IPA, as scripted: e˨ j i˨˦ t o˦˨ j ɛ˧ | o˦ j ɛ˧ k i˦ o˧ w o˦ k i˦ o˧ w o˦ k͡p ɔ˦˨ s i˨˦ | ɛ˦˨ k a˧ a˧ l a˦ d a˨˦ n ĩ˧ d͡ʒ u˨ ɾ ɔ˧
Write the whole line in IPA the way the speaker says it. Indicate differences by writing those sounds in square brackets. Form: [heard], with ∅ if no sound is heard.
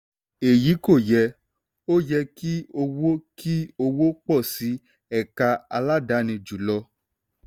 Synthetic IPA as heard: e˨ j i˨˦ [k] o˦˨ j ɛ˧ | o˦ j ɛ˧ k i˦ o˧ w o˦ k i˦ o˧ w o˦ k͡p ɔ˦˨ s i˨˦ | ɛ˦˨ k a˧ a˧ l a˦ d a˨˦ n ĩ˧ d͡ʒ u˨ [l] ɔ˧